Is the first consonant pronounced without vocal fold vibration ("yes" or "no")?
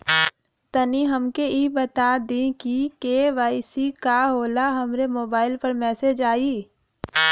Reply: yes